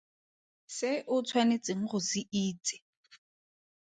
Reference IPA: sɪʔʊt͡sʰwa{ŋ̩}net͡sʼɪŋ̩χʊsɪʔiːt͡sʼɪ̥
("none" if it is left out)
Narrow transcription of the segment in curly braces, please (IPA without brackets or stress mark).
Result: none